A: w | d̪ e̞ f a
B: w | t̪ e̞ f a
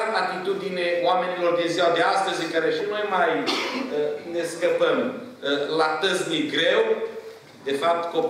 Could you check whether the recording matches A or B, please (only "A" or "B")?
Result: A